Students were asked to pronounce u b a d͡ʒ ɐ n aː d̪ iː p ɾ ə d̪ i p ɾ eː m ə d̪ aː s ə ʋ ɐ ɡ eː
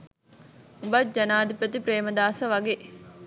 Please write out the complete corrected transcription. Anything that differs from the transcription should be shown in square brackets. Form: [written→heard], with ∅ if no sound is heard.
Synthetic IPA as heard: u b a d͡ʒ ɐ n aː d̪ [iː→i] p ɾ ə [d̪→t̪] i p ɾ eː m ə d̪ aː s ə ʋ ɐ ɡ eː